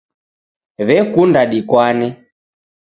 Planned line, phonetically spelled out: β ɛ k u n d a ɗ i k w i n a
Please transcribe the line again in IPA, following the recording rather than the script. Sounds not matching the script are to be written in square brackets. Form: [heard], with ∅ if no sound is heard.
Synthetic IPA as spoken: β ɛ k u n d a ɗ i k w [a] n [ɛ]